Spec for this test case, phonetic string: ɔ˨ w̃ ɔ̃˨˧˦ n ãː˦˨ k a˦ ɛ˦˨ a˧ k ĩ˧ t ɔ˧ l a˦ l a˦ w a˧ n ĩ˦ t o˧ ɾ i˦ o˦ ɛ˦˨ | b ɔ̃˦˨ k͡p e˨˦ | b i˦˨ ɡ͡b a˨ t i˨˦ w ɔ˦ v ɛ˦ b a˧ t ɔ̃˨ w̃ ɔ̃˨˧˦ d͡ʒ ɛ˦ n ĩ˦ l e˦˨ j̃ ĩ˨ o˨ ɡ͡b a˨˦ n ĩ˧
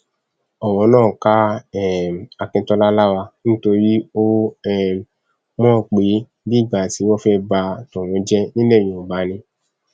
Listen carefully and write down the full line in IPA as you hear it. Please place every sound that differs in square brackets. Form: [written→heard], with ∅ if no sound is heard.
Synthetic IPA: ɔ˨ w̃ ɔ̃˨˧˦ n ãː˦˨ k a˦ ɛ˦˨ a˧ k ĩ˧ t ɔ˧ l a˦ l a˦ w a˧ n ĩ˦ t o˧ ɾ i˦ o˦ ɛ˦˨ | [b→m] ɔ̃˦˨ k͡p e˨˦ | b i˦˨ ɡ͡b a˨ t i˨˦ w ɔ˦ [v→f] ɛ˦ b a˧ t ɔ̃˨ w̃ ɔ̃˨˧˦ d͡ʒ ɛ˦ n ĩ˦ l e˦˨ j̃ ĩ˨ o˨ ɡ͡b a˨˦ n ĩ˧